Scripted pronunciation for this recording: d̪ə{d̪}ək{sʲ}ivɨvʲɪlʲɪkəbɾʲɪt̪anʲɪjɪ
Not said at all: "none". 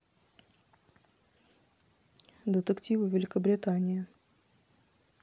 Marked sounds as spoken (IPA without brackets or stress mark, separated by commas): t̪, tʲ